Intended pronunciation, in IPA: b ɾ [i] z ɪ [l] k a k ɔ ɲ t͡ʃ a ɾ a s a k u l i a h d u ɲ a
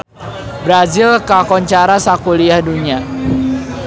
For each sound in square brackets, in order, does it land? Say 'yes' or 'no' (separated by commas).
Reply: no, yes